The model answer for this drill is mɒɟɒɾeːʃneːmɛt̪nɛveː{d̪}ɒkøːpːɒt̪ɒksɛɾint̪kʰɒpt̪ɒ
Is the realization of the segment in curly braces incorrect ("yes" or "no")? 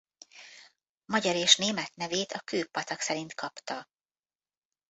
yes